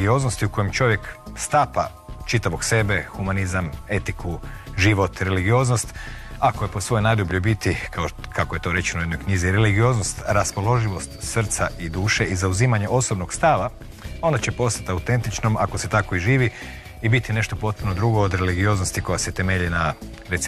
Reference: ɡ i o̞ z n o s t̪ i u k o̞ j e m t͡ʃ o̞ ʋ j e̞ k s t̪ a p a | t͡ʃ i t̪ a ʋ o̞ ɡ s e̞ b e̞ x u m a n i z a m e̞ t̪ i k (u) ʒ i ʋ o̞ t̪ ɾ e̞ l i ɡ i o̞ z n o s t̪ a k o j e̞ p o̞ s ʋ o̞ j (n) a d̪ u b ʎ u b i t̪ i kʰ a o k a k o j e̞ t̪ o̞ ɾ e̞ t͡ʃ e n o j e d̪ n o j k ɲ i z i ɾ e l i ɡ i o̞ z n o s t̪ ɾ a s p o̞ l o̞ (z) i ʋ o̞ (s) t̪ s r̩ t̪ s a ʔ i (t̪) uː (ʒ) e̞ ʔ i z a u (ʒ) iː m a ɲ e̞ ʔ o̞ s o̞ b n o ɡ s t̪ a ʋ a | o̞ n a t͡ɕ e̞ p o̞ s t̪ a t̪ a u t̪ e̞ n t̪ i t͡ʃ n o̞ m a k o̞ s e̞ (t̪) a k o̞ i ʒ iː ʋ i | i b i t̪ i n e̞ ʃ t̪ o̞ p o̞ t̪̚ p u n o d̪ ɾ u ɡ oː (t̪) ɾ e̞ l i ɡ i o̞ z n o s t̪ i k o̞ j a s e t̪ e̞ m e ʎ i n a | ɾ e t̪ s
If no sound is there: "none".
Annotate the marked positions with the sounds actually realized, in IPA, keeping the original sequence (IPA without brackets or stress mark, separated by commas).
u, n, ʒ, s, d̪, ʃ, z, t̪, d̪